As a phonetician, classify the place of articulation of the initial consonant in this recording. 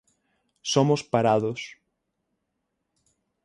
alveolar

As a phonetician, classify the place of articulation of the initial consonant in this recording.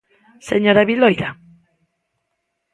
alveolar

